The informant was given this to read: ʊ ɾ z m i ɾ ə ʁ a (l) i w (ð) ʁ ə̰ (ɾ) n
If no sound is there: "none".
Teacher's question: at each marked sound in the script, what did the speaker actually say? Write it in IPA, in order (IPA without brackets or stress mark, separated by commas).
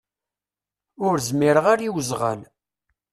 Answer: ɾ, z, none